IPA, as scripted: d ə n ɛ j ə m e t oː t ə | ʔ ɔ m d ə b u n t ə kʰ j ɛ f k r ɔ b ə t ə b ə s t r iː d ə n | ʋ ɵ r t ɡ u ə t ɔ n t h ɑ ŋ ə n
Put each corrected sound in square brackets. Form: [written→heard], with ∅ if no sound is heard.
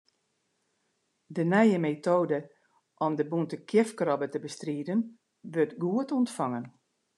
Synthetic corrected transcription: d ə n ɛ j ə m e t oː [t→d] ə | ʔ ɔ m d ə b u n t ə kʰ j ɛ f k r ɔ b ə t ə b ə s t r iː d ə n | ʋ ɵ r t ɡ u ə t ɔ n t [h→f] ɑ ŋ ə n